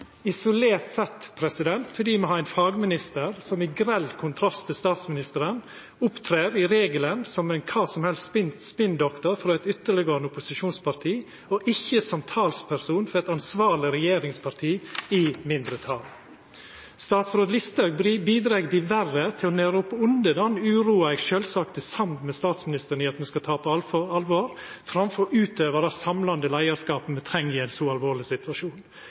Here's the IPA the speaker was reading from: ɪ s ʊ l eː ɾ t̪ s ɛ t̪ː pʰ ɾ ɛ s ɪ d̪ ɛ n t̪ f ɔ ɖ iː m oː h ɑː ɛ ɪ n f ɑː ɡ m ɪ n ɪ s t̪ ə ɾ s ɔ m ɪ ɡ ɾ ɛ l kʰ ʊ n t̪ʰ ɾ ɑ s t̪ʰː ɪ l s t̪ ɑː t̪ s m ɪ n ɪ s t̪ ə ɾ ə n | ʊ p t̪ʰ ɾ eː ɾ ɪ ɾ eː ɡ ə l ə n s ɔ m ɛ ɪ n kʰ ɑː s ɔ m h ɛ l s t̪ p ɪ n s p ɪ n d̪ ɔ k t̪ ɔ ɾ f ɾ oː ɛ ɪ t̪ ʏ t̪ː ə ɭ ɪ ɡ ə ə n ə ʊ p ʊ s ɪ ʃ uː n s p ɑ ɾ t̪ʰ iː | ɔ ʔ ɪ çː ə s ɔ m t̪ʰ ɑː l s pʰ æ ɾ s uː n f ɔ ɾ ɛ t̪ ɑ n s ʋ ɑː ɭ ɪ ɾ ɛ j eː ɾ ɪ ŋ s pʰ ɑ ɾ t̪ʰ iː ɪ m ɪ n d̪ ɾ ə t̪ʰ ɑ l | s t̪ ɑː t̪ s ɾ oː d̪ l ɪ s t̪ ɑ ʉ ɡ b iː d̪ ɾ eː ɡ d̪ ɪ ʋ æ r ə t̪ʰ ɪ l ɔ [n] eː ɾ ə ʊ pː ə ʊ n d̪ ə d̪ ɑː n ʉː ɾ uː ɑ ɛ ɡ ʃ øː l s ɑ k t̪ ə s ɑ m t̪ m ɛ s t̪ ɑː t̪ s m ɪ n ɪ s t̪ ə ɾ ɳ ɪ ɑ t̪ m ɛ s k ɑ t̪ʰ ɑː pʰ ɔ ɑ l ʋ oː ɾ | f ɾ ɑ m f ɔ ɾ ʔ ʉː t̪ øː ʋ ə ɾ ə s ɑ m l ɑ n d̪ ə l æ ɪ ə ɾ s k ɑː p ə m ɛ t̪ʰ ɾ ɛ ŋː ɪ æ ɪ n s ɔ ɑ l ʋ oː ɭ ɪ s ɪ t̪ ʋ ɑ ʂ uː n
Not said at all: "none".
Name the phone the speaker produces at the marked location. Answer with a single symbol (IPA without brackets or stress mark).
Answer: n